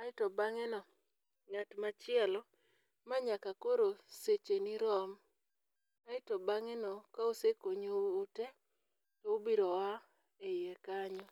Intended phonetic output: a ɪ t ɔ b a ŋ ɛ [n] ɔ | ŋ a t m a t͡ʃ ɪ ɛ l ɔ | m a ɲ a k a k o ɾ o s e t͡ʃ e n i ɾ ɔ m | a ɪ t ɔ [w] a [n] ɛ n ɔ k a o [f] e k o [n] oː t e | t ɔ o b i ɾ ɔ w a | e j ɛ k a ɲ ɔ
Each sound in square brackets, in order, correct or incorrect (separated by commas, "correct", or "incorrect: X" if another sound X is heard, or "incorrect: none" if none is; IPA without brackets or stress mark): correct, incorrect: b, incorrect: ŋ, incorrect: s, incorrect: ɲ